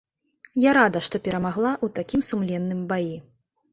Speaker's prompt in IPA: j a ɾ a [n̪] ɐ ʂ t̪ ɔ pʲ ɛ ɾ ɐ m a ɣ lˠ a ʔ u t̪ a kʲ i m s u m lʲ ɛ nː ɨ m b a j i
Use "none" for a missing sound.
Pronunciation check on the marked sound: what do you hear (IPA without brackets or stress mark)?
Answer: d̪